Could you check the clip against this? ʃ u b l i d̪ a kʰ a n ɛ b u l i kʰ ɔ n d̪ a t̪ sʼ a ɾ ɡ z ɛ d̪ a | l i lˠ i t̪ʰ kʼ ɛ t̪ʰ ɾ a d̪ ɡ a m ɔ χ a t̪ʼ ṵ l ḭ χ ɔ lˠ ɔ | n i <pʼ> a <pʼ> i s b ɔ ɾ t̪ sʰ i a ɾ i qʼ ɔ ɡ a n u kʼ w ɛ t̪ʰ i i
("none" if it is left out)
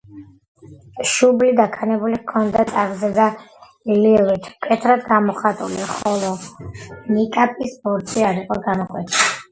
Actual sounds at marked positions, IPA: kʼ, pʼ

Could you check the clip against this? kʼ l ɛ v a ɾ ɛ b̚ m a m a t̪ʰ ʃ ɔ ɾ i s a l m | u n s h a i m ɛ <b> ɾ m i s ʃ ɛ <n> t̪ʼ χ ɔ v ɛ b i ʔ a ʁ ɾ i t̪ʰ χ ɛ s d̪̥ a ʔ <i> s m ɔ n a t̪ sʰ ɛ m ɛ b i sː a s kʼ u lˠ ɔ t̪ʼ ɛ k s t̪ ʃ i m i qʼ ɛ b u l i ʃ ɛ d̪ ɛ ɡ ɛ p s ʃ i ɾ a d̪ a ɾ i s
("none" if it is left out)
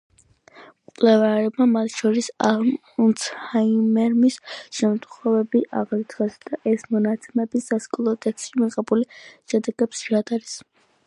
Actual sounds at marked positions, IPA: none, m, ɛ

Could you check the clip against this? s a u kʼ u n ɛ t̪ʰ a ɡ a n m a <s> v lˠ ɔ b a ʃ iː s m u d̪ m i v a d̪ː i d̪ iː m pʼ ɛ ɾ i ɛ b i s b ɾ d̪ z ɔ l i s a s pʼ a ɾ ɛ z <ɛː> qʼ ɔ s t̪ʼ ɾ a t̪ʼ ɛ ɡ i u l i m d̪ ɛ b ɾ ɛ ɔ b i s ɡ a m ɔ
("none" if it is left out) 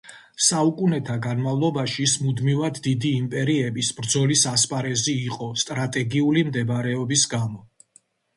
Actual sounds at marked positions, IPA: none, iː

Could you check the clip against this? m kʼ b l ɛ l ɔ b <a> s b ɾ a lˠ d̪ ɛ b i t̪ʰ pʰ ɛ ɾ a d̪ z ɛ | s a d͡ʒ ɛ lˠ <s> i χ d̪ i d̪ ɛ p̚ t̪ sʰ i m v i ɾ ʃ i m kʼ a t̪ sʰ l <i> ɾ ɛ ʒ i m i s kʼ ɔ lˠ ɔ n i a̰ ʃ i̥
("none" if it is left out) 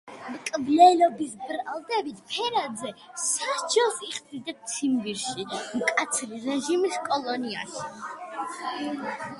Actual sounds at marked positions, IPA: i, s, i

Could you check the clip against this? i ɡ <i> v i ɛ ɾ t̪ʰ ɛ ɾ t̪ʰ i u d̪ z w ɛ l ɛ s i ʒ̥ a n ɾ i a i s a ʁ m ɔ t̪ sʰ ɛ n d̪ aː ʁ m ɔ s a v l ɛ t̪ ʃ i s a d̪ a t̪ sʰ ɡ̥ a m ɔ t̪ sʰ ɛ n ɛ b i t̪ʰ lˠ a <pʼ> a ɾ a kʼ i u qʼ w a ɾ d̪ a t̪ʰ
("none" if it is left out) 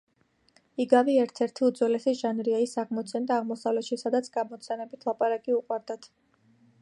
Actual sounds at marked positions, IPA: a, pʼ

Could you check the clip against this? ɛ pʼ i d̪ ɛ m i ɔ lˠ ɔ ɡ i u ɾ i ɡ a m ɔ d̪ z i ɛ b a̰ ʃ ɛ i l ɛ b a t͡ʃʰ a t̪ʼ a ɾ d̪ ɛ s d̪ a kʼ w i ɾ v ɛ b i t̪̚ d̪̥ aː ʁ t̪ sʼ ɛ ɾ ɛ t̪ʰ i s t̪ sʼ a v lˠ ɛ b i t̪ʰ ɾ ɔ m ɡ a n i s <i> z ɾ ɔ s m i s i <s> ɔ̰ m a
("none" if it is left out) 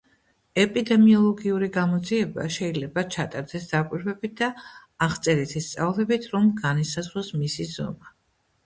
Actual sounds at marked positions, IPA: a, z

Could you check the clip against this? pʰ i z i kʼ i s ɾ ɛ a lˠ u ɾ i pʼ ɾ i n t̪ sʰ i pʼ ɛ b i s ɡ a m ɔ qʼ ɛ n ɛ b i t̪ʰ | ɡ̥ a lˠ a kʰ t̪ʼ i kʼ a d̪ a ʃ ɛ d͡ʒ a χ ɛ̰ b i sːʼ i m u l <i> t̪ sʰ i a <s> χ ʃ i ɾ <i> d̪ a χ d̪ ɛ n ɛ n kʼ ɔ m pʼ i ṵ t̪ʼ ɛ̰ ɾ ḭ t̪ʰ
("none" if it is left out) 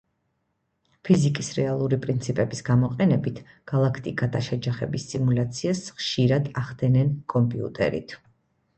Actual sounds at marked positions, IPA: a, s, a

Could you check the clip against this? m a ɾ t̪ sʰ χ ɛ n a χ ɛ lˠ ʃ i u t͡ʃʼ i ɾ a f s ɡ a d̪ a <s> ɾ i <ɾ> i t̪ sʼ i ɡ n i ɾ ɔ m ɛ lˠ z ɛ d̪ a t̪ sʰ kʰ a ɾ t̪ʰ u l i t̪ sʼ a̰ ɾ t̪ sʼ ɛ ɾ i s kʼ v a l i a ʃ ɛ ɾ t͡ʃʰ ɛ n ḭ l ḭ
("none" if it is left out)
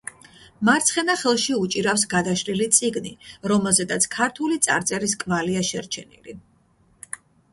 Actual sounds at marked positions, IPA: ʃ, l

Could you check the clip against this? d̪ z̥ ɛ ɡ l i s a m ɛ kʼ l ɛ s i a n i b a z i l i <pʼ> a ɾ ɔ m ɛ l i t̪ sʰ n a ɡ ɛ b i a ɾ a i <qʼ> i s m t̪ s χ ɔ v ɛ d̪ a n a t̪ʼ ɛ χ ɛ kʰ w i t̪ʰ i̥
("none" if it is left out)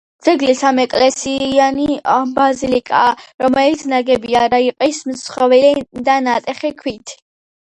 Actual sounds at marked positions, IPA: kʼ, qʼ

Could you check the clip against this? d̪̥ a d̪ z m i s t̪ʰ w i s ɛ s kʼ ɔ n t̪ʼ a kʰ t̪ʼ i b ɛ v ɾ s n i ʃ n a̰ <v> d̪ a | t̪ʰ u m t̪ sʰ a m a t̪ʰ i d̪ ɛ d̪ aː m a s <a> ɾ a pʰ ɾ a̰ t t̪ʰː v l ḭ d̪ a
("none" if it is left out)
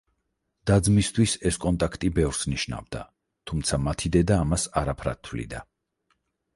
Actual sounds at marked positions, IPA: v, a

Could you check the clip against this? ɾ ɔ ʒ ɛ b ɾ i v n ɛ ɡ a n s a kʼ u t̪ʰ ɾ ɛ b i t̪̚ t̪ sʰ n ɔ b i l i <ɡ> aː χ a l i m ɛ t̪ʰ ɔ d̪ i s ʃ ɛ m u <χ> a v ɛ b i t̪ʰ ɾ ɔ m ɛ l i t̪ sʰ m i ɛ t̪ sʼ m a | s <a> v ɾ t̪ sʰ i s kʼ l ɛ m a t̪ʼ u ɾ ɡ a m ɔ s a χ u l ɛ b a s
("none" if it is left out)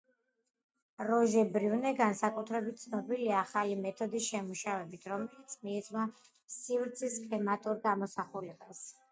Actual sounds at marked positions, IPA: none, ʃ, i

